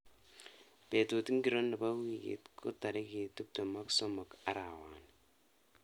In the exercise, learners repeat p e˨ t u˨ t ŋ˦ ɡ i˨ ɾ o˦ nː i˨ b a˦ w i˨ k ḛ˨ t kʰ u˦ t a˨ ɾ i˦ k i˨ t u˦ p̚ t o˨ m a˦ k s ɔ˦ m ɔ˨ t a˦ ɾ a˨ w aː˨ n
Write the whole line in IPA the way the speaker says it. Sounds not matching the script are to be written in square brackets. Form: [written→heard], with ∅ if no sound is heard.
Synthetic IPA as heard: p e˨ t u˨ t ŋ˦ ɡ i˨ ɾ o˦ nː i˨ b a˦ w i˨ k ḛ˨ t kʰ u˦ t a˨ ɾ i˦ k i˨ t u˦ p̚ t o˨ m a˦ k s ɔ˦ m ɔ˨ [t→k] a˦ ɾ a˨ w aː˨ n